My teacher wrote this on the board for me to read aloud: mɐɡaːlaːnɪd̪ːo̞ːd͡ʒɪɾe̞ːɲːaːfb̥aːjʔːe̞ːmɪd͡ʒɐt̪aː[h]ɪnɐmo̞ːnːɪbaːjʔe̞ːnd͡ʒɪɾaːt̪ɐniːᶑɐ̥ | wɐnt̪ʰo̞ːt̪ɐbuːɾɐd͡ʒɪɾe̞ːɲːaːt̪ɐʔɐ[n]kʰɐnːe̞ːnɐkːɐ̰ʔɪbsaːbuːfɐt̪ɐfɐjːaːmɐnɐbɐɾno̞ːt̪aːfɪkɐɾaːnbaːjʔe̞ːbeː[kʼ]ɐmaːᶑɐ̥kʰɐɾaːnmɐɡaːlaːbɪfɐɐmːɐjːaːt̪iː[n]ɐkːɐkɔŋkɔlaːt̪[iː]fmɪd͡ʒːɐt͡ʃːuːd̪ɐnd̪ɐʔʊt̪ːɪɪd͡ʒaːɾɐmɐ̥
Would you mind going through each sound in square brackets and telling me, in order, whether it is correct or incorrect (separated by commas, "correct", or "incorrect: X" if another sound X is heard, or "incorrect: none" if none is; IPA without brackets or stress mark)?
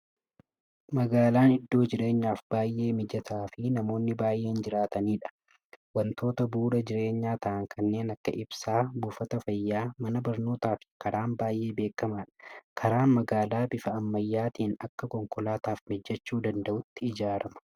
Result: incorrect: f, incorrect: ŋ, incorrect: k, correct, incorrect: aː